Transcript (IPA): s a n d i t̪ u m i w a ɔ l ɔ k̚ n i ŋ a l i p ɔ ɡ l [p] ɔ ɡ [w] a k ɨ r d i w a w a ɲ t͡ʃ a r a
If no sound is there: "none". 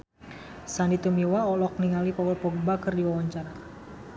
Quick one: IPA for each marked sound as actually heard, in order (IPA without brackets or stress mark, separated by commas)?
p, b